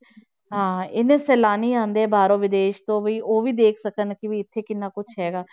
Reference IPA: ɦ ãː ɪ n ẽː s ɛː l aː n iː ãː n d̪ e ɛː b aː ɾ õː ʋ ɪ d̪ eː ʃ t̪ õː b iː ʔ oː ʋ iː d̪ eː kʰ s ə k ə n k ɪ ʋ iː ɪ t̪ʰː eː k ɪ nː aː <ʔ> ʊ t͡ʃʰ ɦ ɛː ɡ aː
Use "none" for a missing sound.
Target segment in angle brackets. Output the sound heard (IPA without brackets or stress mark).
k